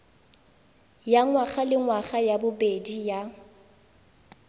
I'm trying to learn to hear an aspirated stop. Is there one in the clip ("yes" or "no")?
no